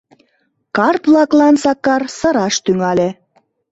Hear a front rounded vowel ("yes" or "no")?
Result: yes